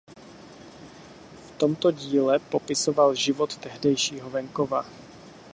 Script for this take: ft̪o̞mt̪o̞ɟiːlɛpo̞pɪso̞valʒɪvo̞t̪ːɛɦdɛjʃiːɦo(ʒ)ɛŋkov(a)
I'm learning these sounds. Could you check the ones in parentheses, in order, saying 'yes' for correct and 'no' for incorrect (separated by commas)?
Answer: no, yes